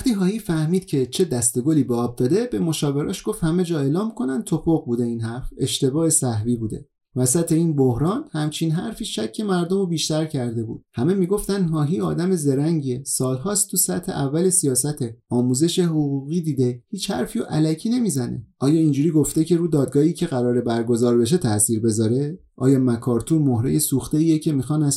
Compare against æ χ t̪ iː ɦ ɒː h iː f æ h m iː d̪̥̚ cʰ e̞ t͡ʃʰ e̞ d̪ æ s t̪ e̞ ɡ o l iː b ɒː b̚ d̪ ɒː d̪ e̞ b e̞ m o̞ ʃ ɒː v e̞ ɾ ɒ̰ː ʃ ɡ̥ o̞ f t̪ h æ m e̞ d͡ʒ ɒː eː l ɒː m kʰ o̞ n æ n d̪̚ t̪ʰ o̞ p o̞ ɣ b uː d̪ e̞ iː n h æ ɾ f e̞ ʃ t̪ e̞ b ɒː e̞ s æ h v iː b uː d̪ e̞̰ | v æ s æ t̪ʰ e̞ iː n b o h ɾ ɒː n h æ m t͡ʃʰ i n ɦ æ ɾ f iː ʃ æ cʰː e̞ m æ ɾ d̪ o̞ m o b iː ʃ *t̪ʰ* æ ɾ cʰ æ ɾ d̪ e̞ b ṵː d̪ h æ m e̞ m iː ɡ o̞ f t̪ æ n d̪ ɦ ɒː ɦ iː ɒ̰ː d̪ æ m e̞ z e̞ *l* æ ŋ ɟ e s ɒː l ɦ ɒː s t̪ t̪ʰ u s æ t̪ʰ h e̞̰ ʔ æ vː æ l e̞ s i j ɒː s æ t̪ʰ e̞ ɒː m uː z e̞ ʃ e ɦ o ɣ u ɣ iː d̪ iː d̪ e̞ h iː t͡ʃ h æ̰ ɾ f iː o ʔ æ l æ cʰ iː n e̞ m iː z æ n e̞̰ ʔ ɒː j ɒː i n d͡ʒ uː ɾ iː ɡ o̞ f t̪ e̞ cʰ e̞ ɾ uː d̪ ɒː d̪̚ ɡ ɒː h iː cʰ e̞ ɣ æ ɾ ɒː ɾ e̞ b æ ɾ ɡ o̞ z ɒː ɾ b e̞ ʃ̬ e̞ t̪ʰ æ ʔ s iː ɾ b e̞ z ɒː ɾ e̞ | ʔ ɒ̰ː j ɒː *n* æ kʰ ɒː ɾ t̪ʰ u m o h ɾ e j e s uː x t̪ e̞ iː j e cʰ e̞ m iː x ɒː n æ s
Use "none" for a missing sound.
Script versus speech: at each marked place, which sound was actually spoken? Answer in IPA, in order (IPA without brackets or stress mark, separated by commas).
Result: t̪, ɾ, m